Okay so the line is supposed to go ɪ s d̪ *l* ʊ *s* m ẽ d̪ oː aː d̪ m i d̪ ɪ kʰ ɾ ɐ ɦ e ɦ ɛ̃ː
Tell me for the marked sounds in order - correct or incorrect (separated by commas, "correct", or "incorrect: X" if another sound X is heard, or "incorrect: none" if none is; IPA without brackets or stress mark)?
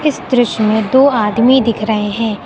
incorrect: ɾ, incorrect: ʃ